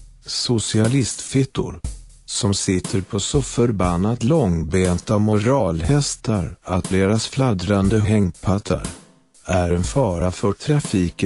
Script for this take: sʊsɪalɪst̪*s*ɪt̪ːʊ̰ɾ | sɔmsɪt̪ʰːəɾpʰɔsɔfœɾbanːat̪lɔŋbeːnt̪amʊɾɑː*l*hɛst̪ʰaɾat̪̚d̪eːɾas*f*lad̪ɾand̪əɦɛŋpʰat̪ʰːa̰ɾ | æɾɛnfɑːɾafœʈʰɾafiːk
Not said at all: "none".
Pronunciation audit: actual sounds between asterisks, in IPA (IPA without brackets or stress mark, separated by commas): f, l, f